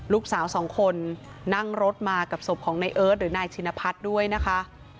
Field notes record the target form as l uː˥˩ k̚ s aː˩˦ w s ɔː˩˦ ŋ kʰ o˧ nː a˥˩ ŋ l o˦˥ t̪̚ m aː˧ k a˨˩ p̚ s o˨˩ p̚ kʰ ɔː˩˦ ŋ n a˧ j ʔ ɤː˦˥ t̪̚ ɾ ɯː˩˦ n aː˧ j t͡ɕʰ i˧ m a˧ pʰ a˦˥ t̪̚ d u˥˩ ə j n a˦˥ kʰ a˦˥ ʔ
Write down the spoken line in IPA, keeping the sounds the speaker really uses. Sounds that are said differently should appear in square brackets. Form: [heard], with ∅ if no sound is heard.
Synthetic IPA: l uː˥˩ k̚ s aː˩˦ w s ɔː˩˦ ŋ kʰ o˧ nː a˥˩ ŋ [ɾ] o˦˥ t̪̚ m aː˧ k a˨˩ p̚ s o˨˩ p̚ kʰ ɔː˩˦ ŋ n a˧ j ʔ ɤː˦˥ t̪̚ ɾ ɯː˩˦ n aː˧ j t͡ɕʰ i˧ [n] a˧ pʰ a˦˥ t̪̚ d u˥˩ ə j n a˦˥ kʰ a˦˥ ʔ